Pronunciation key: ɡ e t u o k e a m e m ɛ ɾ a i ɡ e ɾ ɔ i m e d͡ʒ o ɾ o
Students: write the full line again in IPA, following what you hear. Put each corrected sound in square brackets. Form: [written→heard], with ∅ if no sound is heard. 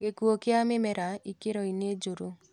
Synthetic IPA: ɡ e [t→k] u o k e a m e m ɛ ɾ a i [ɡ→k] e ɾ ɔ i [m→n] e d͡ʒ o ɾ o